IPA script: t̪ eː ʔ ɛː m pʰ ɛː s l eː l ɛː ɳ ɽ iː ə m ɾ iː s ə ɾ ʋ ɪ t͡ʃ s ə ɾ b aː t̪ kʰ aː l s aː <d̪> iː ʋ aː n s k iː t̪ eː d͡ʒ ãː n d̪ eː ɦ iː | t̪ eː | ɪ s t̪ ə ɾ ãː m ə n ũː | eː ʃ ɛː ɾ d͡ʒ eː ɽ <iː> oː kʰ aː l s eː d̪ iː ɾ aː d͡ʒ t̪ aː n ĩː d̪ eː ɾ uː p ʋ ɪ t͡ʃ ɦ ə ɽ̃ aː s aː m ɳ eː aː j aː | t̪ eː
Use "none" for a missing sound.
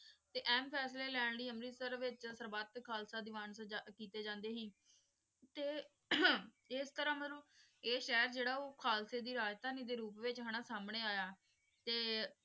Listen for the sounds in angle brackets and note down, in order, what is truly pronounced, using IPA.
d̪, aː

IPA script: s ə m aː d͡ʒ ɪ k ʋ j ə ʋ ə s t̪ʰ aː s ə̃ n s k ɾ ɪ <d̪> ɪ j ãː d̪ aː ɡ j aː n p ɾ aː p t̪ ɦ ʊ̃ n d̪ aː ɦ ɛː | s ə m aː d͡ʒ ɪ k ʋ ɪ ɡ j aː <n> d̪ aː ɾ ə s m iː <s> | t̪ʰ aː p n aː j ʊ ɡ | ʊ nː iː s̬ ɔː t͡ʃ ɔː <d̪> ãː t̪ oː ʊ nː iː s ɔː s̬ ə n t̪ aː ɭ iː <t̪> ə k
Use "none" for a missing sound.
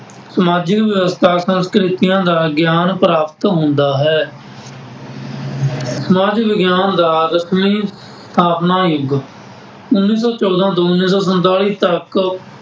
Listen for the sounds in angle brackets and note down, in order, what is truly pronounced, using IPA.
t̪, n, s, d̪, t̪

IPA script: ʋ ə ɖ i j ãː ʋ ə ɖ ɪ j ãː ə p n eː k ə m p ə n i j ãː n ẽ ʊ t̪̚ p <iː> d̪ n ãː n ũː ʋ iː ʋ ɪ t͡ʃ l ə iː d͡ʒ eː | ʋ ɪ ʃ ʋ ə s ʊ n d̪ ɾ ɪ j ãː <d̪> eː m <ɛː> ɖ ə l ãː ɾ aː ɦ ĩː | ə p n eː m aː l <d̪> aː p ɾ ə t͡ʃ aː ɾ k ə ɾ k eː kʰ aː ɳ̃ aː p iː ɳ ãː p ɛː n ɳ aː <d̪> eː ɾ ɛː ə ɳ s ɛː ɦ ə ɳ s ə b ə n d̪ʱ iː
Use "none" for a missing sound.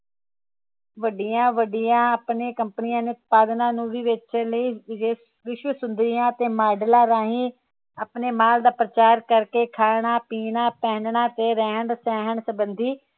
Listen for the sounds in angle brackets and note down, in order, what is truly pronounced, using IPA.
aː, t̪, aː, d̪, t̪

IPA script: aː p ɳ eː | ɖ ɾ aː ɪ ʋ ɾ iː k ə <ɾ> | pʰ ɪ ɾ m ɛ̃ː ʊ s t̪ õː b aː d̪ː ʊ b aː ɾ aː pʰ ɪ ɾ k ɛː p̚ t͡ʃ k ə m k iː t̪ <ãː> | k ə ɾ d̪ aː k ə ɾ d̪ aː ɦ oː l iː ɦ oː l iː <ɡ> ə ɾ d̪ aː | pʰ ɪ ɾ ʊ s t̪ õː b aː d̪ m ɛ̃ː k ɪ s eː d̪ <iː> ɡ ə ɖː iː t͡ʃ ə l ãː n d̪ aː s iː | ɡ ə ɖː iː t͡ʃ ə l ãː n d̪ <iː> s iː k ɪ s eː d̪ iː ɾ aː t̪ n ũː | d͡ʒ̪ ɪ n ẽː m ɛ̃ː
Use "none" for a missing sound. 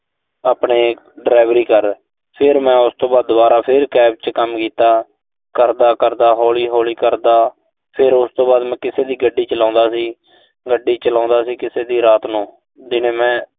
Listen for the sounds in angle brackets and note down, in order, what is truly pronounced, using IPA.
ɾ, aː, k, iː, aː

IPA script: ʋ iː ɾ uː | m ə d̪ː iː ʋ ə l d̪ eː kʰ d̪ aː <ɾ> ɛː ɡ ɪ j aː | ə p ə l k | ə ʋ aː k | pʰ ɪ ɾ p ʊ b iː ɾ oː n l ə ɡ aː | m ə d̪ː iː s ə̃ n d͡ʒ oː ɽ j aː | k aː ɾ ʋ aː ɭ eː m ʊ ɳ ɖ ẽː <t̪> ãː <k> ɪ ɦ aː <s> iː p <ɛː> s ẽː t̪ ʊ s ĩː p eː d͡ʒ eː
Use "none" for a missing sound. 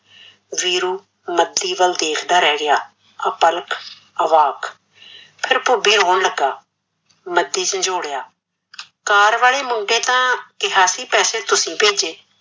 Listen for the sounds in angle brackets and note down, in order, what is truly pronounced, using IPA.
ɾ, t̪, k, s, ɛː

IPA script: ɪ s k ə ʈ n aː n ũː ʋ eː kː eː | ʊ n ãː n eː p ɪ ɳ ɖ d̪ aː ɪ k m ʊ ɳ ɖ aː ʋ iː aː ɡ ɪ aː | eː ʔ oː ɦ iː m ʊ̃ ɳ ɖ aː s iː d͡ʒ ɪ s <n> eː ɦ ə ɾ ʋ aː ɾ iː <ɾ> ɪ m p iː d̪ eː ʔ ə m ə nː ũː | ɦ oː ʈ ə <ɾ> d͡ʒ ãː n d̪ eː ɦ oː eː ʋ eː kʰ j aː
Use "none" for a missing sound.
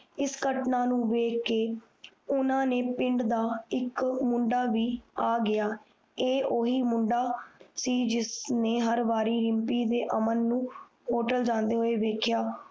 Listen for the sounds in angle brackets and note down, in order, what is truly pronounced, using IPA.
n, ɾ, l

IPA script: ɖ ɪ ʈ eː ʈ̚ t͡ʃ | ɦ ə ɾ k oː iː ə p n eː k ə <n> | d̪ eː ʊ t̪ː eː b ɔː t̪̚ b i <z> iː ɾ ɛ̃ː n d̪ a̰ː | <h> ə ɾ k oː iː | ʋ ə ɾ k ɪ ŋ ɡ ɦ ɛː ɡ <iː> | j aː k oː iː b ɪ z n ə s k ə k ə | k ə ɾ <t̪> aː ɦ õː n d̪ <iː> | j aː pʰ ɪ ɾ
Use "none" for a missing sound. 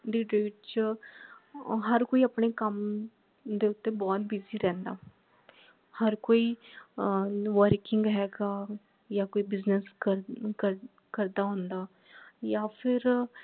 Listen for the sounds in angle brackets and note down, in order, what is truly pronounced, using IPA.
m, z, h, aː, d̪, aː

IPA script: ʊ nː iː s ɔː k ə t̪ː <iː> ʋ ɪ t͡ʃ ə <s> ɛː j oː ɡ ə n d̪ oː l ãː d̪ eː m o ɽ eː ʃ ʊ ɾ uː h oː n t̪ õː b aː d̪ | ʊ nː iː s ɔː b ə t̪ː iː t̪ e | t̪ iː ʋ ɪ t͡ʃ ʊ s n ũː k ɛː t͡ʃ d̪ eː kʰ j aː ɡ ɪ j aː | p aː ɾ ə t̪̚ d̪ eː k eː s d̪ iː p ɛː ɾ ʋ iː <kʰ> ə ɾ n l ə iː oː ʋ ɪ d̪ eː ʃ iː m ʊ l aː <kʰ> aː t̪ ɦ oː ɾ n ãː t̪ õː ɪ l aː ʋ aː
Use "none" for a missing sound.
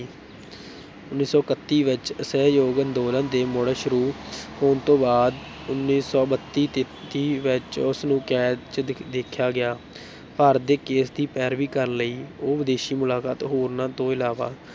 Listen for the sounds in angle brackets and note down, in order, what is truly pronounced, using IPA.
iː, s, k, k

